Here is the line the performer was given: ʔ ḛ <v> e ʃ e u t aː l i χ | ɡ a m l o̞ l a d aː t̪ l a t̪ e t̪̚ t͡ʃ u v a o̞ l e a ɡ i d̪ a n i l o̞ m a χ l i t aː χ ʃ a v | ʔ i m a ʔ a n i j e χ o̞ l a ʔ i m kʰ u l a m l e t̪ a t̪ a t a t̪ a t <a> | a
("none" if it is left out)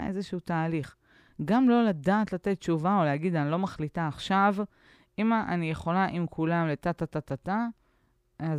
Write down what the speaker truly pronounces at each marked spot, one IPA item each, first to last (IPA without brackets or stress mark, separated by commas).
z, a